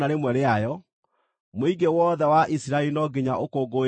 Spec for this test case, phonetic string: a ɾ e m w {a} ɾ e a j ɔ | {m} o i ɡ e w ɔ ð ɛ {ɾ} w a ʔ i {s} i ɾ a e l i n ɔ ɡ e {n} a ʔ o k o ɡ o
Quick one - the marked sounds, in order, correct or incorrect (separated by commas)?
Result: incorrect, correct, incorrect, correct, incorrect